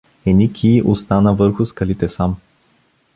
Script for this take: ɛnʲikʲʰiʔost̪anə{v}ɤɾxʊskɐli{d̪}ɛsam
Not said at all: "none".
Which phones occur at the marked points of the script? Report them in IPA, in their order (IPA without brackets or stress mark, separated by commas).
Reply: v, t̪